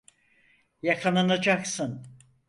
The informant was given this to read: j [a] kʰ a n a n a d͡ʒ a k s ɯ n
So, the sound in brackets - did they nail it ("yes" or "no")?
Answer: yes